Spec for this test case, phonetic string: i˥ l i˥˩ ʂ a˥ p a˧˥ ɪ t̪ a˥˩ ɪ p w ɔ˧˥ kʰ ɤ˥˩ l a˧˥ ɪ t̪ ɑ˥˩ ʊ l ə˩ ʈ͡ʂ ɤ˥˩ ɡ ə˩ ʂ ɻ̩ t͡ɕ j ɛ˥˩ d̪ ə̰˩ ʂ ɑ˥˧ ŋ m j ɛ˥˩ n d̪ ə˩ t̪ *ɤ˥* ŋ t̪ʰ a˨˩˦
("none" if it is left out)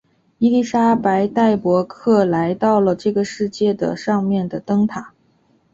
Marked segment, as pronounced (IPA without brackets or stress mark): ɤ˥